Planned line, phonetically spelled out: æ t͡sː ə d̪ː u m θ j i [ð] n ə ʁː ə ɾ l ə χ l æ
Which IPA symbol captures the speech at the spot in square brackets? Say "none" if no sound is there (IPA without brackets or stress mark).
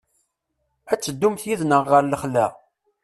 ð